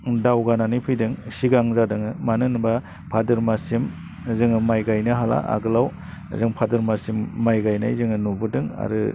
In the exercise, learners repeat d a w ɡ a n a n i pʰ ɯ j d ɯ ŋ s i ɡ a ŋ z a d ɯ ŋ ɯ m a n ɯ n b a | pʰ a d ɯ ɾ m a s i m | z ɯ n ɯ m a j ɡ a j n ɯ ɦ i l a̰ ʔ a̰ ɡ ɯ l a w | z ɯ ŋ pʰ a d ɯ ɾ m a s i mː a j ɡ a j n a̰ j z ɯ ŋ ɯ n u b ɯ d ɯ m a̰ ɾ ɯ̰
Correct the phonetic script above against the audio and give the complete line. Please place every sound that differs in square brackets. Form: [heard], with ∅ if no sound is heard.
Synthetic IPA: d a w ɡ a n a n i pʰ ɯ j d ɯ ŋ s i ɡ a ŋ z a d ɯ ŋ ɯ m a n ɯ n b a | pʰ a d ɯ ɾ m a s i m | z ɯ [ŋ] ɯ m a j ɡ a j n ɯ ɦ [a] l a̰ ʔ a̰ ɡ ɯ l a w | z ɯ ŋ pʰ a d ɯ ɾ m a s i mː a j ɡ a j n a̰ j z ɯ ŋ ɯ n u b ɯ d ɯ [ŋ] a̰ ɾ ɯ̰